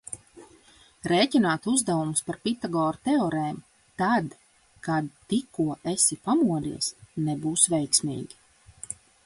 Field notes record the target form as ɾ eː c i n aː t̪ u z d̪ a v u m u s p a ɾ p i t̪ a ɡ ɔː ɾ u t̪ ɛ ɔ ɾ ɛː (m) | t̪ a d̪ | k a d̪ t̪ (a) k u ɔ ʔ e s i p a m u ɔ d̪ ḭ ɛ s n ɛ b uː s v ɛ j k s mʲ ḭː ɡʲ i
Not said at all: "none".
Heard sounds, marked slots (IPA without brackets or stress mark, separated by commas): m, i